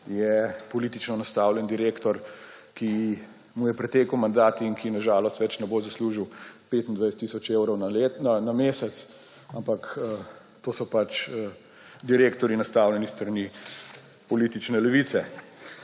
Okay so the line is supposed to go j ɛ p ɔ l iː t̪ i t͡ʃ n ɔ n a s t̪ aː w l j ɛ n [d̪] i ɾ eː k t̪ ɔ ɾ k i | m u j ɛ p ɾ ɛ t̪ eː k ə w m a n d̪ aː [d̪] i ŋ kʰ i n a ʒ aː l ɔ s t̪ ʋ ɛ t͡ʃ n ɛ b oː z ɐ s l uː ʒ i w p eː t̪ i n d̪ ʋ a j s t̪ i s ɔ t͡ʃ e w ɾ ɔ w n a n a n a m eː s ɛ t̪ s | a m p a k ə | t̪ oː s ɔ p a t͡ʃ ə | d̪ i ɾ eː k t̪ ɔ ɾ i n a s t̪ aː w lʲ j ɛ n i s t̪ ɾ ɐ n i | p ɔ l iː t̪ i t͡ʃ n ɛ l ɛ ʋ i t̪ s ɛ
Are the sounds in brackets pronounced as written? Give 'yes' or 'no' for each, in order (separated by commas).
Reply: yes, no